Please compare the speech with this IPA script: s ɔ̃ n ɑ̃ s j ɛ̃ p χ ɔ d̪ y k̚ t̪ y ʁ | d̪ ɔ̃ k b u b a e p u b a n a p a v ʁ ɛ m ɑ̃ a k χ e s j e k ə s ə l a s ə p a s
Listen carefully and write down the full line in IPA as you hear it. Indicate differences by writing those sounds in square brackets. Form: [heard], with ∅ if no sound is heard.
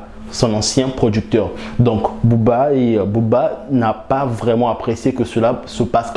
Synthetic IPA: s ɔ̃ n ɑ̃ s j ɛ̃ p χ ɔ d̪ y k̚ t̪ [œ] ʁ | d̪ ɔ̃ k b u b a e [b] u b a n a p a v ʁ ɛ m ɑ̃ a [p] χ e s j e k ə s ə l a s ə p a s